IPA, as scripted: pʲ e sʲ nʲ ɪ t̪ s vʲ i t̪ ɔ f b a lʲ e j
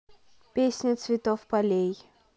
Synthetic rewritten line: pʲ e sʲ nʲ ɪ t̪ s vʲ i t̪ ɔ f p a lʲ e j